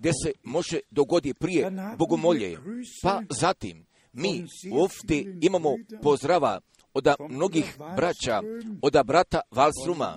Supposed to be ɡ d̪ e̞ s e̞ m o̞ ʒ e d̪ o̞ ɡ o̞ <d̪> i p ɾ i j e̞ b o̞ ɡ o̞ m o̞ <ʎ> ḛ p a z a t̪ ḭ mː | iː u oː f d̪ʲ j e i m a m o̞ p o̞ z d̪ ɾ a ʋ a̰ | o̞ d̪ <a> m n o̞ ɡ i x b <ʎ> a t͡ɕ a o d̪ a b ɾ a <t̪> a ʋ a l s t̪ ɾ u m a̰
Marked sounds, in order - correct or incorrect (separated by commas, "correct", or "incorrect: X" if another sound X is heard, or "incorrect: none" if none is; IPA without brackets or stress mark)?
correct, correct, correct, incorrect: ɾ, correct